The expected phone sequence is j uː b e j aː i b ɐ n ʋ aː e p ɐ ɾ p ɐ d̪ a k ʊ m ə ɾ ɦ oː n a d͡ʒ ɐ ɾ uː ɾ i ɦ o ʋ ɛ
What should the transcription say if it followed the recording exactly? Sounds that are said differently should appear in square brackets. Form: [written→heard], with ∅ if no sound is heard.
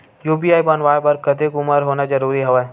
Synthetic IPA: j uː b [e→i] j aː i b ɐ n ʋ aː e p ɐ ɾ [p→k] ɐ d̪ [a→e] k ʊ m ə ɾ ɦ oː n a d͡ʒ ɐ ɾ uː ɾ i ɦ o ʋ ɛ